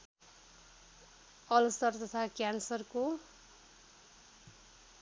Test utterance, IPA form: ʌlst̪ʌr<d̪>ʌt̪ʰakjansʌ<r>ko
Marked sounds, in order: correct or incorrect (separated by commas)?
incorrect, correct